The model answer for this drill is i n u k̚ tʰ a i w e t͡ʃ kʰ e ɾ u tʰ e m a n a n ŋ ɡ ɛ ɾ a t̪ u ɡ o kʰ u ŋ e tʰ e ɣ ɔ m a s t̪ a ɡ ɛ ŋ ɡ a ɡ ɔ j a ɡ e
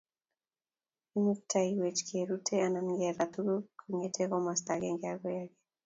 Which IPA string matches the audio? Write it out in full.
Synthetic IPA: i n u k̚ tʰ a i w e t͡ʃ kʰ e ɾ u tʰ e a n a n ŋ ɡ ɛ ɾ a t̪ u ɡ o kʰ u ŋ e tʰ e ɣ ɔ m a s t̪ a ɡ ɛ ŋ ɡ a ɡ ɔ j a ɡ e